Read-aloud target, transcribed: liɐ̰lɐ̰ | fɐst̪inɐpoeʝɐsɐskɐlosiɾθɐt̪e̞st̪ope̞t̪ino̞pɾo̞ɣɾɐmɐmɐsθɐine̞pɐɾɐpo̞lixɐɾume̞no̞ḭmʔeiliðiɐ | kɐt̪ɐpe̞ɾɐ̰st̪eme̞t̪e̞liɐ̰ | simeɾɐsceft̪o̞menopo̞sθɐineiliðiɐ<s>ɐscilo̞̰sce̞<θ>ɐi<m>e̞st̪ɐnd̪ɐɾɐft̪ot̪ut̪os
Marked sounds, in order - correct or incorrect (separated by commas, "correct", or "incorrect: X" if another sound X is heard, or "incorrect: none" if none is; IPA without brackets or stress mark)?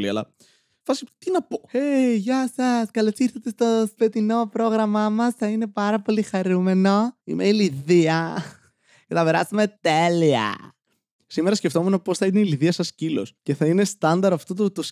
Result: correct, correct, incorrect: n